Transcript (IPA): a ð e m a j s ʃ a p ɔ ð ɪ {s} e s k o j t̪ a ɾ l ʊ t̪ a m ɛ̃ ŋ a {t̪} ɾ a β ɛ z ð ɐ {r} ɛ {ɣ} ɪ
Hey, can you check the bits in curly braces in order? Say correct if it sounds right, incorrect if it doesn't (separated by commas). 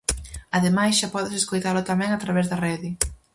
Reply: correct, correct, correct, incorrect